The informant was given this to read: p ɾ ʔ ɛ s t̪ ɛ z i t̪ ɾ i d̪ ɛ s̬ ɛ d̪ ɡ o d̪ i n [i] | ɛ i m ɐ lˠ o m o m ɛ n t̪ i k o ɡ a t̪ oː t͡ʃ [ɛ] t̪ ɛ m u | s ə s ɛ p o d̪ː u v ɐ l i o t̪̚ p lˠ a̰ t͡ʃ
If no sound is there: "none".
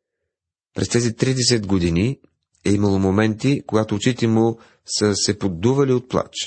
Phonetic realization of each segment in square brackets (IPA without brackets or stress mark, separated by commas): i, i